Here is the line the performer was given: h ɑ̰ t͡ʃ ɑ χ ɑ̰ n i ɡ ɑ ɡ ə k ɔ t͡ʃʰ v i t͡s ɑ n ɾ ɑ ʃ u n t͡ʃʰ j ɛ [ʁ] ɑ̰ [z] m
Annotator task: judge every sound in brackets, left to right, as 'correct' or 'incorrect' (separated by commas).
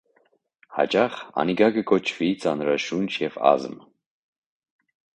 incorrect, correct